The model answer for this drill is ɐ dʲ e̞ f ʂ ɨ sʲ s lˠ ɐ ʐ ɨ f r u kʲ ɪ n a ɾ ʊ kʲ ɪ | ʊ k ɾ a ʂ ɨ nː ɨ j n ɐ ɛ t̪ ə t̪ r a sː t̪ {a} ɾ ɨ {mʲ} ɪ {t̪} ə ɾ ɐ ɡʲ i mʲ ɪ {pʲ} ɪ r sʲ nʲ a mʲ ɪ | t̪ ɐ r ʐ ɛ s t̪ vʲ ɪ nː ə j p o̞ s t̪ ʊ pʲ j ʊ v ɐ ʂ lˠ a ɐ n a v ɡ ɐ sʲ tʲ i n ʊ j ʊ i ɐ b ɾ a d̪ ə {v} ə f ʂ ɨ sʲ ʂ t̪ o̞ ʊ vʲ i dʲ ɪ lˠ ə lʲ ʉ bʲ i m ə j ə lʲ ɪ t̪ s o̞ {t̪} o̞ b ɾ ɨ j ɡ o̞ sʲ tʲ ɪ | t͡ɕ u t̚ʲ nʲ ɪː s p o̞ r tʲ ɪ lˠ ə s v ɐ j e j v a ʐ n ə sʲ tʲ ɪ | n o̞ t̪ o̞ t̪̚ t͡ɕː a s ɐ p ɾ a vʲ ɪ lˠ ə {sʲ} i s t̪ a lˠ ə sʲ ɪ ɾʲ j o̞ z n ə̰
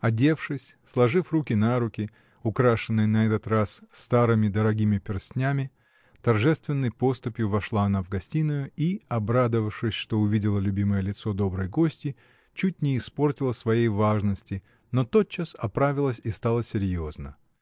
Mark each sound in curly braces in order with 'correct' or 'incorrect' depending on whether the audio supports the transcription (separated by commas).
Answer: correct, correct, incorrect, correct, correct, incorrect, correct